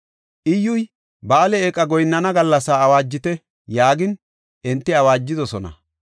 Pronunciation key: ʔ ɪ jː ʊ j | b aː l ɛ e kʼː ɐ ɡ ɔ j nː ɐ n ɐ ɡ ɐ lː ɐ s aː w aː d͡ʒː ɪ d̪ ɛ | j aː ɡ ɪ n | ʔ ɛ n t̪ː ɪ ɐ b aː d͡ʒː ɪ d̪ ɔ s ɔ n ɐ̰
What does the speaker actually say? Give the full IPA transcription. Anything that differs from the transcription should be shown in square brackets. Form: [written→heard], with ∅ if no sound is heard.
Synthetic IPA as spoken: ʔ ɪ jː ʊ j | b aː l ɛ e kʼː ɐ ɡ ɔ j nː ɐ n ɐ ɡ ɐ lː ɐ s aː w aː d͡ʒː ɪ [d̪→t̪] ɛ | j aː ɡ ɪ n | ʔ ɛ n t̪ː ɪ ɐ [b→w] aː d͡ʒː ɪ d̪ ɔ s ɔ n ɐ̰